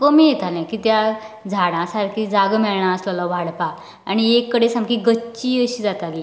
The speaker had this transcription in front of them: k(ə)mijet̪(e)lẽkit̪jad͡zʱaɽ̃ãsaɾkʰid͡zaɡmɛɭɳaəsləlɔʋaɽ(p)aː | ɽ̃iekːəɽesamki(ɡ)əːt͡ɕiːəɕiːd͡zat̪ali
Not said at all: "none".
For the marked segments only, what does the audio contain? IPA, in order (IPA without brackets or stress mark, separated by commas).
ə, a, p, ɡ